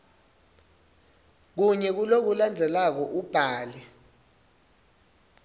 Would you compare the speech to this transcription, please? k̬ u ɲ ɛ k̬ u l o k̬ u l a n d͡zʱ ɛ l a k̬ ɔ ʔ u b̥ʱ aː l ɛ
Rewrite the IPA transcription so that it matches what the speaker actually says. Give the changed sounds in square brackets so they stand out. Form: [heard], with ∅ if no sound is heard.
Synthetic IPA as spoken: k̬ u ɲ ɛ k̬ u l o k̬ u l a n d͡zʱ ɛ l a k̬ ɔ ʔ u b̥ʱ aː l ɛ